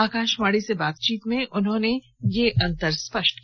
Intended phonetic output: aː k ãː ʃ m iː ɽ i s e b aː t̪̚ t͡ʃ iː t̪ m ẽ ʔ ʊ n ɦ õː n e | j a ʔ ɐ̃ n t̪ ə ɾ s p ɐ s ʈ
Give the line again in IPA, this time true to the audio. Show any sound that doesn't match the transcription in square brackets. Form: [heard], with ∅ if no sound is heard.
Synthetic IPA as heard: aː k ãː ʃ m [aː] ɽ i s e b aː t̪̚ t͡ʃ iː t̪ m ẽ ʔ ʊ n ɦ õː n e | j [e] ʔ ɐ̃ n t̪ ə ɾ s p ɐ [ʃ] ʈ